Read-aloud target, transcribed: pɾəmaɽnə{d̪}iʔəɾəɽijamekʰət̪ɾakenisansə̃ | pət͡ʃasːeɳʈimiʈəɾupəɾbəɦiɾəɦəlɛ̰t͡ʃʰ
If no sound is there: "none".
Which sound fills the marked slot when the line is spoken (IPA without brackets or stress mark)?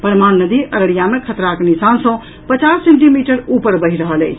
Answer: d̪